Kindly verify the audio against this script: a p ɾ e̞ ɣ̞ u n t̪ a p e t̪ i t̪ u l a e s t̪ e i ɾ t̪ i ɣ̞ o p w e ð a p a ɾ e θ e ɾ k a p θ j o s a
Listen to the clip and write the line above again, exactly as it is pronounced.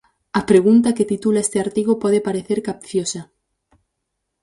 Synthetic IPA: a p ɾ e̞ ɣ̞ u n t̪ a k e t̪ i t̪ u l a e s t̪ e a ɾ t̪ i ɣ̞ o p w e ð e p a ɾ e θ e ɾ k a p θ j o s a